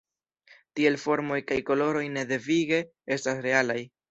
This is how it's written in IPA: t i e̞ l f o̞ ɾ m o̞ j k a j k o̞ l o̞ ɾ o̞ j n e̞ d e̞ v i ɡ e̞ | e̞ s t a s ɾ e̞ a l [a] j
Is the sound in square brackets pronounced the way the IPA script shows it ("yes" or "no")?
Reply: yes